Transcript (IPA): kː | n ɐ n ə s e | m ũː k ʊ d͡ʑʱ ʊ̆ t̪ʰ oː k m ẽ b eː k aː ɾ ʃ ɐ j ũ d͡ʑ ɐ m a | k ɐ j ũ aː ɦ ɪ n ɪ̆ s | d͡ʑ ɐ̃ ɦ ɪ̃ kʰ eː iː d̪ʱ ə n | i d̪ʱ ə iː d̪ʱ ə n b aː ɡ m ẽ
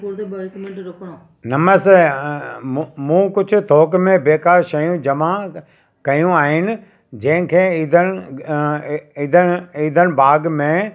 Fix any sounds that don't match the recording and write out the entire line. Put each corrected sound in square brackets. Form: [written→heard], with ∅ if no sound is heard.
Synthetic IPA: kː | n ɐ [n→m] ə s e | m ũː k ʊ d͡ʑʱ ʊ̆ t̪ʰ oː k m ẽ b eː k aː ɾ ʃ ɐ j ũ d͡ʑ ɐ m a | k ɐ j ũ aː ɦ ɪ n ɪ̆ [s→∅] | d͡ʑ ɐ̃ ɦ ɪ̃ kʰ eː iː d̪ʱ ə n | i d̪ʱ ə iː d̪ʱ ə n b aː ɡ m ẽ